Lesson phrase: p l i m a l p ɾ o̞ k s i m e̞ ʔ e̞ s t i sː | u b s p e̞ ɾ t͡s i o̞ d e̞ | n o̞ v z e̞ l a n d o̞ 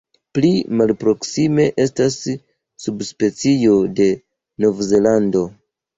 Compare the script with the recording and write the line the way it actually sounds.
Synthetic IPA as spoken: p l i m a l p ɾ o̞ k s i m e̞ ʔ e̞ s t a sː | u b s p e̞ t͡s i o̞ d e̞ | n o̞ v z e̞ l a n d o̞